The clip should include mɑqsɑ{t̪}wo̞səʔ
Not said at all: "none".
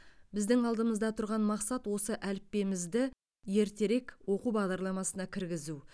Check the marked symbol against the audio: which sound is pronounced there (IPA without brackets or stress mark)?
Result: t̪